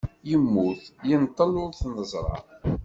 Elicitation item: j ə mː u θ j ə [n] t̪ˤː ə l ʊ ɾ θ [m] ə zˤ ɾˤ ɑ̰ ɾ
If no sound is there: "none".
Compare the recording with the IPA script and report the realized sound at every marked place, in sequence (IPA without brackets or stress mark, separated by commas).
n, n